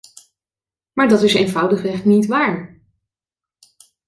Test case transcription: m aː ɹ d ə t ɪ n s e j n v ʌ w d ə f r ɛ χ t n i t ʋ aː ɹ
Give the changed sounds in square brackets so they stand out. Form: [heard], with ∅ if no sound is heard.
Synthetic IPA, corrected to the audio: m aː ɹ d [ɑ] t ɪ [∅] s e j n v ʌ w d ə [χ] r ɛ χ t n i t ʋ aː ɹ

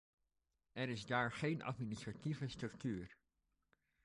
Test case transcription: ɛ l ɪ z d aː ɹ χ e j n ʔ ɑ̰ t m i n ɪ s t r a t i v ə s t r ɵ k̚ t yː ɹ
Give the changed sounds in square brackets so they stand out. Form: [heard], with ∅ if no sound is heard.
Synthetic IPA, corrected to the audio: ɛ [ɾ] ɪ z d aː ɹ χ e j n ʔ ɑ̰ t m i n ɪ s t r a t i v ə s t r ɵ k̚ t yː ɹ

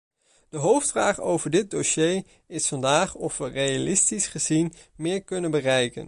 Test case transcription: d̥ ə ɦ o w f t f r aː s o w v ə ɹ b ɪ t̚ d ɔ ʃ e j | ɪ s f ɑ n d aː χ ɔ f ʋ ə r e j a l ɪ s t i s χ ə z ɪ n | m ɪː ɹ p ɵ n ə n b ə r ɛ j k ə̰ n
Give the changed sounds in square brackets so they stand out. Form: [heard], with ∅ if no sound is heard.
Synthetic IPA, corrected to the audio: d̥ ə ɦ o w f t f r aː [χ] o w v ə ɹ [d] ɪ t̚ d [o] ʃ e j | ɪ s f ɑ n d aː χ ɔ f ʋ ə r e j a l ɪ s t i s χ ə z [i] n | m ɪː ɹ [k] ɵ n ə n b ə r ɛ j k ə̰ n

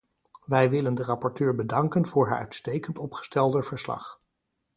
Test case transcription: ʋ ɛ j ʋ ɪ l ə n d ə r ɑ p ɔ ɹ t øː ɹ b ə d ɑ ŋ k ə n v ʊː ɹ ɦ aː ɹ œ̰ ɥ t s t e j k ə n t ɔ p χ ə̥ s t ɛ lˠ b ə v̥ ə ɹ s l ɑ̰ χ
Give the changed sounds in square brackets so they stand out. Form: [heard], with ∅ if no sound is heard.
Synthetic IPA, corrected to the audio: ʋ ɛ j ʋ ɪ l ə n d ə r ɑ p ɔ ɹ t øː ɹ b ə d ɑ ŋ k ə n v ʊː ɹ ɦ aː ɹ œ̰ ɥ t s t e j k ə n t ɔ p χ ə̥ s t ɛ lˠ [d] ə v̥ ə ɹ s l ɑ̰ χ

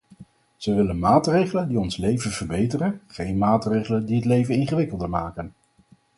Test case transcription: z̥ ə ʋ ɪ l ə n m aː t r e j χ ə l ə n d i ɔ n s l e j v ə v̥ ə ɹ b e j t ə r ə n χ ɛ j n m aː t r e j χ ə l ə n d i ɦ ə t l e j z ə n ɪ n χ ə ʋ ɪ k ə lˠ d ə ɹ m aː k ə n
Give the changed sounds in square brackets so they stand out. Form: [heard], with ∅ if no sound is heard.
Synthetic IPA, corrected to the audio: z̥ ə ʋ ɪ l ə n m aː t r e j χ ə l ə n d i ɔ n s l e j v ə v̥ ə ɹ b e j t ə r ə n χ [e] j n m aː t r e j χ ə l ə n d i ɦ ə t l e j [v] ə n ɪ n χ ə ʋ ɪ k ə lˠ d ə ɹ m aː k ə n

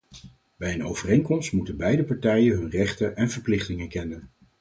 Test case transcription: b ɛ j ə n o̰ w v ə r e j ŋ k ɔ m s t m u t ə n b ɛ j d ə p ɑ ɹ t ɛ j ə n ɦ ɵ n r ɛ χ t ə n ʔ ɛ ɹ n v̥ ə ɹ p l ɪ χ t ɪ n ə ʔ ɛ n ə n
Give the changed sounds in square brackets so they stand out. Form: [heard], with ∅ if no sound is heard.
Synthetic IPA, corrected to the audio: b ɛ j ə n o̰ w v ə r e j ŋ k ɔ m s t m u t ə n b ɛ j d ə p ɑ ɹ t ɛ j ə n ɦ ɵ n r ɛ χ t ə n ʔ ɛ [∅] n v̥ ə ɹ p l ɪ χ t ɪ [ŋ] ə [k] ɛ n ə n

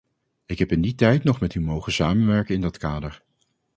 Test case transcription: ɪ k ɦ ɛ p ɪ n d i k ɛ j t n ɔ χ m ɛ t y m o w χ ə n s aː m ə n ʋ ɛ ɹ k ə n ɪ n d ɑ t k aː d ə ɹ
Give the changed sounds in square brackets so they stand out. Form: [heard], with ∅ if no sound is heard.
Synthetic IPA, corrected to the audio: ɪ k ɦ ɛ p ɪ n d i [t] ɛ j t n ɔ χ m ɛ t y m o w χ ə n s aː m ə n ʋ ɛ ɹ k ə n ɪ n d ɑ t k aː d ə ɹ

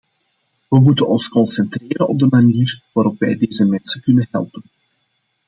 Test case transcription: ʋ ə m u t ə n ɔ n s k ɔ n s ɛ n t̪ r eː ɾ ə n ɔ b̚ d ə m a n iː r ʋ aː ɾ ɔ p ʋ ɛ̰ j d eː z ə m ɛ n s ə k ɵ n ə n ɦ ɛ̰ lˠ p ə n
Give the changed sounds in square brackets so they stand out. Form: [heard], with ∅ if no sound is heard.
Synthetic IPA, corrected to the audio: ʋ ə m u t ə n ɔ n s k ɔ n s ɛ n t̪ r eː ɾ ə n ɔ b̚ d ə m a n iː r ʋ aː ɾ ɔ p ʋ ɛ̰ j d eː z ə m ɛ n s ə k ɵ n ə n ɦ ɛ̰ lˠ p ə n

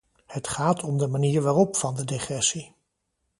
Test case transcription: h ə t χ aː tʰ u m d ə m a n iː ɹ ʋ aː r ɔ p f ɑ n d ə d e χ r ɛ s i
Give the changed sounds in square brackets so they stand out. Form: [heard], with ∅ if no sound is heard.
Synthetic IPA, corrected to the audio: h ə t χ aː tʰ [ɔ] m d ə m a n iː ɹ ʋ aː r ɔ p f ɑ n d ə d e χ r ɛ s i

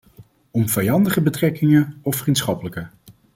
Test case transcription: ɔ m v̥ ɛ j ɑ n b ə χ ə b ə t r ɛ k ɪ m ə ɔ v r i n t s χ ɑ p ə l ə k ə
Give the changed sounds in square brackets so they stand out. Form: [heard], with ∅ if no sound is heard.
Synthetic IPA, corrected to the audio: ɔ m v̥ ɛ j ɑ n [d] ə χ ə b ə t r ɛ k ɪ [ŋ] ə ɔ [f] r i n t s χ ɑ p ə l ə k ə

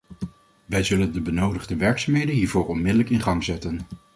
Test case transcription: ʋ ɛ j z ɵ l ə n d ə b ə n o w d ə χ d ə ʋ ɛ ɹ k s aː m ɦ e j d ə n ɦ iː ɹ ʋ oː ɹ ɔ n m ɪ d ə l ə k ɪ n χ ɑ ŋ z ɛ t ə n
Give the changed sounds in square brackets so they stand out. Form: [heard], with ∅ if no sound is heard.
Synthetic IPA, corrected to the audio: ʋ ɛ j z ɵ l ə n d ə b ə n o w d ə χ d ə ʋ ɛ ɹ k s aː m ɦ e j d ə n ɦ iː ɹ [v] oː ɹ ɔ n m ɪ d ə l ə k ɪ n χ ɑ ŋ z ɛ t ə n

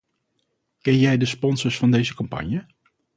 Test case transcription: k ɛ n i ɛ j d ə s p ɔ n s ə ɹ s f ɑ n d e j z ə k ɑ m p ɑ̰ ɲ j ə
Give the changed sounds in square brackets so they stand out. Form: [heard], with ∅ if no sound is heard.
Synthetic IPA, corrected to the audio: k ɛ n [j] ɛ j d ə s p ɔ n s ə ɹ s f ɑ n d e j z ə k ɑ m p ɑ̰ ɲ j ə

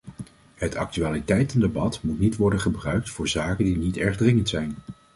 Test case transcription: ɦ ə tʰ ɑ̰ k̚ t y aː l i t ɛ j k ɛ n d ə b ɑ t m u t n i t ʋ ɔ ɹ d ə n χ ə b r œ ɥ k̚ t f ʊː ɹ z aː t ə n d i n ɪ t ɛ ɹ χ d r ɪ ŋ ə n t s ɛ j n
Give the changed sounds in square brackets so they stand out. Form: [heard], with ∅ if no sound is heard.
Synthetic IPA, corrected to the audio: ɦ ə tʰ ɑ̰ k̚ t y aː l i t ɛ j [t] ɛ n d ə b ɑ t m u t n i t ʋ ɔ ɹ d ə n χ ə b r œ ɥ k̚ t f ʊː ɹ z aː [k] ə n d i n [i] t ɛ ɹ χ d r ɪ ŋ ə n t s ɛ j n

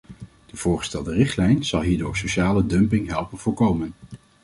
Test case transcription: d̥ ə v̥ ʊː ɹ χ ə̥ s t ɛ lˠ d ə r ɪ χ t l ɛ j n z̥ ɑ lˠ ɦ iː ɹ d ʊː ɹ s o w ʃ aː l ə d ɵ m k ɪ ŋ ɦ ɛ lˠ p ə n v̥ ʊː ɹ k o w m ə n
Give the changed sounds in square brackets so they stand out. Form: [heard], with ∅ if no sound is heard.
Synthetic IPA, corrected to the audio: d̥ ə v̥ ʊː ɹ χ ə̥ s t ɛ lˠ d ə r ɪ χ t l ɛ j n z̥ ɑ lˠ ɦ iː ɹ d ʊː ɹ s o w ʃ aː l ə d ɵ m [p] ɪ ŋ ɦ ɛ lˠ p ə n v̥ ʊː ɹ k o w m ə n

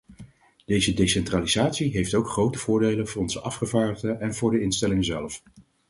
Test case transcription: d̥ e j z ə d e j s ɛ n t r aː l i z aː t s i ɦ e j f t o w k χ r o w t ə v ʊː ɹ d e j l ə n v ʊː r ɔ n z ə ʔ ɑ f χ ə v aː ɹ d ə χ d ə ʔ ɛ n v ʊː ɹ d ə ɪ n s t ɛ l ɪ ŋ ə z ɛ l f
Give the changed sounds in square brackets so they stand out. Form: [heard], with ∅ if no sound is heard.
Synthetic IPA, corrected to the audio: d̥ e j z ə d e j s ɛ n t r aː l i z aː t s i ɦ e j f t o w k χ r o w t ə v ʊː ɹ d e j l ə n v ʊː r ɔ n z ə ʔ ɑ f χ ə v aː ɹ d ə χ d ə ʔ ɛ n v ʊː ɹ d ə ɪ n s t ɛ l ɪ ŋ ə z ɛ l f

